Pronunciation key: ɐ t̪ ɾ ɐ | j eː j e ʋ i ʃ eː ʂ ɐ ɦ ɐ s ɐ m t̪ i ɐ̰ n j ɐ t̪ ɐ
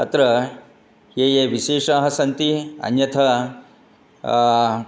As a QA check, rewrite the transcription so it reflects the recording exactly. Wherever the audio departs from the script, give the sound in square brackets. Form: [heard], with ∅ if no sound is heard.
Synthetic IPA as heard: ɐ t̪ ɾ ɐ | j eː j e ʋ i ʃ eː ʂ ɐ ɦ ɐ s ɐ [n] t̪ i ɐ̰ n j ɐ [t̪ʰ] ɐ